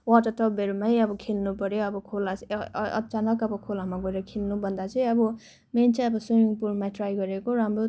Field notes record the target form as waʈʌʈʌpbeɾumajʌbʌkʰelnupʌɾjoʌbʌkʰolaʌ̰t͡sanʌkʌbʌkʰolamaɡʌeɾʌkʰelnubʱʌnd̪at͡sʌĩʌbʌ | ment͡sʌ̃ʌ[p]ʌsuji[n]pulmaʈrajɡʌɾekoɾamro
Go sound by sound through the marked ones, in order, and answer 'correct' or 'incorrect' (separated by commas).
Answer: incorrect, incorrect